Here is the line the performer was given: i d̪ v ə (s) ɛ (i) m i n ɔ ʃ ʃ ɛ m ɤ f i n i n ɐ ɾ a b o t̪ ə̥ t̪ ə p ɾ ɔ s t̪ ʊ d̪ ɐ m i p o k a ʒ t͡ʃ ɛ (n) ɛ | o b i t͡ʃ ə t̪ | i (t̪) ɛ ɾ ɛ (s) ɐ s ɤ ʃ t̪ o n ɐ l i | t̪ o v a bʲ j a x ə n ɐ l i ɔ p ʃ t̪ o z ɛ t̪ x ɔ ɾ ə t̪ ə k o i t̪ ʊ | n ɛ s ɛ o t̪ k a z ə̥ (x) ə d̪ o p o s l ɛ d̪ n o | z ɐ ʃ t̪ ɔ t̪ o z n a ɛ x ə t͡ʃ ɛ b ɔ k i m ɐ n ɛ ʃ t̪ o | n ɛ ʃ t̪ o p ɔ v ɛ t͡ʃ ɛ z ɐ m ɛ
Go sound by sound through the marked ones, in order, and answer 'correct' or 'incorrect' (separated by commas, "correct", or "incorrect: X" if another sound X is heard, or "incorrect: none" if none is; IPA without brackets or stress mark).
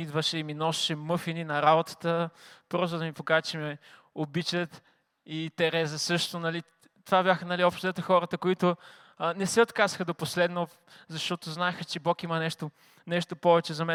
incorrect: ʃ, correct, incorrect: m, correct, incorrect: z, correct